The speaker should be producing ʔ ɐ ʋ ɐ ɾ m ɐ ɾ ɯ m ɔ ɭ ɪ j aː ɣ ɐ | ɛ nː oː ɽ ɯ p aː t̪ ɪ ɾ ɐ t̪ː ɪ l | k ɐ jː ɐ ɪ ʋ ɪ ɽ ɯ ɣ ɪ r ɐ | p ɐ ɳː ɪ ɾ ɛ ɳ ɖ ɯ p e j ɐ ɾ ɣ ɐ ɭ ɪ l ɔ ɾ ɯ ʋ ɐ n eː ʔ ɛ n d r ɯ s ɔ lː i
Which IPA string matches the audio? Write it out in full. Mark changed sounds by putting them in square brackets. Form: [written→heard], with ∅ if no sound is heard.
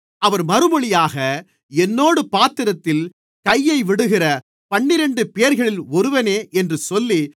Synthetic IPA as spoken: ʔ ɐ ʋ ɐ ɾ m ɐ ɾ ɯ m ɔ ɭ ɪ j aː ɣ ɐ | ɛ nː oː ɽ ɯ p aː t̪ ɪ ɾ ɐ t̪ː ɪ l | k ɐ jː ɐ ɪ ʋ ɪ ɽ ɯ ɣ ɪ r ɐ | p ɐ ɳː ɪ ɾ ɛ ɳ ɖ ɯ p e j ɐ ɾ ɣ ɐ ɭ ɪ l ɔ ɾ ɯ ʋ ɐ n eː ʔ ɛ n d r ɯ s ɔ lː i

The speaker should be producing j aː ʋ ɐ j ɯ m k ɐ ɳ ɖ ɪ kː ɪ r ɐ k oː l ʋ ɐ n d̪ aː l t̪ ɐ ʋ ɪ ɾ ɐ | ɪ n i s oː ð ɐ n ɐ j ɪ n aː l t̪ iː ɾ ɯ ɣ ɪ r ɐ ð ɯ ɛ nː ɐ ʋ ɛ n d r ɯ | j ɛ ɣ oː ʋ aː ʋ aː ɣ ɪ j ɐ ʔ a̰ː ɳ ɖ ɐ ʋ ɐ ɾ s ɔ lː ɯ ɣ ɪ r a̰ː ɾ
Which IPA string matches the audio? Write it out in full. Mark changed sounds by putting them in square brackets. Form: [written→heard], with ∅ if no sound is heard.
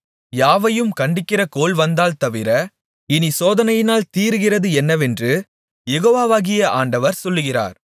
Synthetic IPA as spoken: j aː ʋ ɐ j ɯ m k ɐ ɳ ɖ ɪ kː ɪ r ɐ k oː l ʋ ɐ n d̪ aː l t̪ ɐ ʋ ɪ ɾ ɐ | ɪ n i s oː ð ɐ n ɐ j ɪ n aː l t̪ iː ɾ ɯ ɣ ɪ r ɐ ð ɯ ɛ nː ɐ ʋ ɛ n d r ɯ | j ɛ ɣ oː ʋ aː ʋ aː ɣ ɪ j ɐ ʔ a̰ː ɳ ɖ ɐ ʋ ɐ ɾ s ɔ lː ɯ ɣ ɪ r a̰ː ɾ

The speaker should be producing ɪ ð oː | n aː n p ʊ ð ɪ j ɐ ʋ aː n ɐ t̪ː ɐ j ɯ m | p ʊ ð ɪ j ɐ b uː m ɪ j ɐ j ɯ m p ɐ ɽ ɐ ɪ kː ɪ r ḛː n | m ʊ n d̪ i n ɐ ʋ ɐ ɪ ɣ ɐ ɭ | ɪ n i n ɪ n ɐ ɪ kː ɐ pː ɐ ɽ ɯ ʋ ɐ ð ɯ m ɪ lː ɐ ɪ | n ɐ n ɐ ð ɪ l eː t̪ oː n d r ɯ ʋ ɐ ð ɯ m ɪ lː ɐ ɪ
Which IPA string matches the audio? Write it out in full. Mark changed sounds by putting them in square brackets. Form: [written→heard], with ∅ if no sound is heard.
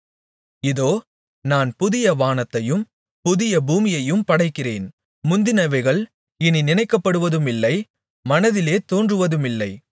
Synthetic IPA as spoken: ɪ ð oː | n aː n p ʊ ð ɪ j ɐ ʋ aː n ɐ t̪ː ɐ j ɯ m | p ʊ ð ɪ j ɐ b uː m ɪ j ɐ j ɯ m p ɐ ɽ ɐ ɪ kː ɪ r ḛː n | m ʊ n d̪ [i→ɪ] n ɐ ʋ ɐ ɪ ɣ ɐ ɭ | ɪ n i n ɪ n ɐ ɪ kː ɐ pː ɐ ɽ ɯ ʋ ɐ ð ɯ m ɪ lː ɐ ɪ | [n→m] ɐ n ɐ ð ɪ l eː t̪ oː n d r ɯ ʋ ɐ ð ɯ m ɪ lː ɐ ɪ

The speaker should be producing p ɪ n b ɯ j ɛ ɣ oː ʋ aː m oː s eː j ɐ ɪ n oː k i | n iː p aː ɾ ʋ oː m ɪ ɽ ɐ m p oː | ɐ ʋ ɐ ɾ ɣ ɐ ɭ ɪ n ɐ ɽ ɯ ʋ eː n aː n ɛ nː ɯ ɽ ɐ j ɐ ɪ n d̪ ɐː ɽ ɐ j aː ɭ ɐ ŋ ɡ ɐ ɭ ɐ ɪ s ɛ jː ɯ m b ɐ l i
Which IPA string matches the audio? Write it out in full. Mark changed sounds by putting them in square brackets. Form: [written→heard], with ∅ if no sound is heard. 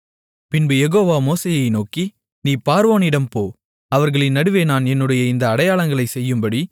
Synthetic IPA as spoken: p ɪ n b ɯ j ɛ ɣ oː ʋ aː m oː s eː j ɐ ɪ n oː k i | n iː p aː ɾ ʋ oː [m→n] ɪ ɽ ɐ m p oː | ɐ ʋ ɐ ɾ ɣ ɐ ɭ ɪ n ɐ ɽ ɯ ʋ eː n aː n ɛ nː ɯ ɽ ɐ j ɐ ɪ n d̪ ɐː ɽ ɐ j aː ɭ ɐ ŋ ɡ ɐ ɭ ɐ ɪ s ɛ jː ɯ m b ɐ [l→ɽ] i

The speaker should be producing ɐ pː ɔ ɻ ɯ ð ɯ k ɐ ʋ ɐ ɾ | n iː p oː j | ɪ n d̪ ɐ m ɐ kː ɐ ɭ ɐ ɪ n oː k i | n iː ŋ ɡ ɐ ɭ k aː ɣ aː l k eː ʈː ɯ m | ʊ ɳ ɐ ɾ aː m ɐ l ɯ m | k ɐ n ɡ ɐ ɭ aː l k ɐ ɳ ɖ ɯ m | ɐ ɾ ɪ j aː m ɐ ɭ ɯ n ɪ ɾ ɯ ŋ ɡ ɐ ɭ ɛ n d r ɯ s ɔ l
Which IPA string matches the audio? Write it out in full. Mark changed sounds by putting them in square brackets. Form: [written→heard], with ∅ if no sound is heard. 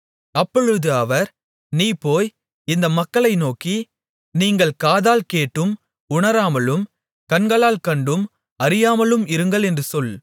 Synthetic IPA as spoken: ɐ pː ɔ ɻ ɯ ð ɯ [k→∅] ɐ ʋ ɐ ɾ | n iː p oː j | ɪ n d̪ ɐ m ɐ kː ɐ ɭ ɐ ɪ n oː k i | n iː ŋ ɡ ɐ ɭ k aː [ɣ→ð] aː l k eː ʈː ɯ m | ʊ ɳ ɐ ɾ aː m ɐ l ɯ m | k ɐ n ɡ ɐ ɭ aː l k ɐ ɳ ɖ ɯ m | ɐ ɾ ɪ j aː m ɐ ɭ ɯ [n→m] ɪ ɾ ɯ ŋ ɡ ɐ ɭ ɛ n d r ɯ s ɔ l

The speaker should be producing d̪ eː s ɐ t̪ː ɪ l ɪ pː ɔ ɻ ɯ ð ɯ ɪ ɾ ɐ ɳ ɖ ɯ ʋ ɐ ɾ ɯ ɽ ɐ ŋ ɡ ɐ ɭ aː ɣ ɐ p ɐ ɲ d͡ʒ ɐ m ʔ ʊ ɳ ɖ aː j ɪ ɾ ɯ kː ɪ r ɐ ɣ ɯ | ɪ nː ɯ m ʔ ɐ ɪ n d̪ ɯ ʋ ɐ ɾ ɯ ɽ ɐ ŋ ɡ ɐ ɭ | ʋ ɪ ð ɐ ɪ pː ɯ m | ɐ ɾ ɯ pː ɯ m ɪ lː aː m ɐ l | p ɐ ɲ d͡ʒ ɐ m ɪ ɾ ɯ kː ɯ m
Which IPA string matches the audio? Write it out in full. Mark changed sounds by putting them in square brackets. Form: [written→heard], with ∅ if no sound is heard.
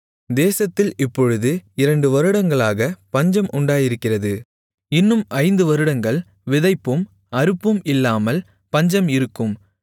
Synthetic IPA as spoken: d̪ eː s ɐ t̪ː ɪ l ɪ pː ɔ ɻ ɯ ð ɯ ɪ ɾ ɐ ɳ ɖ ɯ ʋ ɐ ɾ ɯ ɽ ɐ ŋ ɡ ɐ ɭ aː ɣ ɐ p ɐ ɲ d͡ʒ ɐ m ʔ ʊ ɳ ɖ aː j ɪ ɾ ɯ kː ɪ r ɐ [ɣ→ð] ɯ | ɪ nː ɯ m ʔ ɐ ɪ n d̪ ɯ ʋ ɐ ɾ ɯ ɽ ɐ ŋ ɡ ɐ ɭ | ʋ ɪ ð ɐ ɪ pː ɯ m | ɐ ɾ ɯ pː ɯ m ɪ lː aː m ɐ l | p ɐ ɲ d͡ʒ ɐ m ɪ ɾ ɯ kː ɯ m

